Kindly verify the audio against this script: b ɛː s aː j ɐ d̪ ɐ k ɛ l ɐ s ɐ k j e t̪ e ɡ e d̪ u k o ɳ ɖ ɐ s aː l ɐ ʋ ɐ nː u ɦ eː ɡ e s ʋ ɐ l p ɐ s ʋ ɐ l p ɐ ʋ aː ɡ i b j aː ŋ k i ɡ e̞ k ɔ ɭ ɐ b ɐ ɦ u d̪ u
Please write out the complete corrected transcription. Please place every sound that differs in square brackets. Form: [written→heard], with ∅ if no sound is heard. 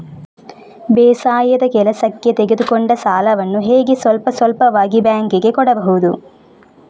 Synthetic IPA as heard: b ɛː s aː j ɐ d̪ ɐ k ɛ l ɐ s ɐ k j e t̪ e ɡ e d̪ u k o ɳ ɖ ɐ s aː l ɐ ʋ ɐ nː u ɦ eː ɡ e s ʋ ɐ l p ɐ s ʋ ɐ l p ɐ ʋ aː ɡ i b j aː ŋ k i ɡ e̞ k ɔ [ɭ→ɽ] ɐ b ɐ ɦ u d̪ u